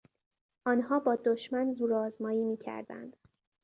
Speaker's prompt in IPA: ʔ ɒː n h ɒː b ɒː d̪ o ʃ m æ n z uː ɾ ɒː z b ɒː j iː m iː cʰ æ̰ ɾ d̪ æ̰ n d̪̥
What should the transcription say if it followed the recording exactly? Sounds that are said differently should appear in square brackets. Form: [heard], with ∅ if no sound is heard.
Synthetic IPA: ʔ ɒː n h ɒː b ɒː d̪ o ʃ m æ n z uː ɾ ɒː z [m] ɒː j iː m iː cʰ æ̰ ɾ d̪ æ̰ n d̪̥